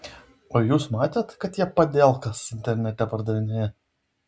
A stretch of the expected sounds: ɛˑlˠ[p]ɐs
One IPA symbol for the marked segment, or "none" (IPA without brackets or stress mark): k